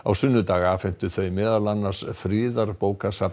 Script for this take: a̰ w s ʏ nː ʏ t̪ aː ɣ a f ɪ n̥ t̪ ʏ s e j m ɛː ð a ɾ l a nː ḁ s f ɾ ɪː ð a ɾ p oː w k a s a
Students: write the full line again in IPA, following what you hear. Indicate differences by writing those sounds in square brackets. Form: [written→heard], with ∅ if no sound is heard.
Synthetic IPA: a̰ w s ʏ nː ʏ t̪ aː ɣ a f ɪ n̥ t̪ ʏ [s→θ] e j m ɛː ð a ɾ l a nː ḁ s f ɾ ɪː ð a ɾ p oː w k a s a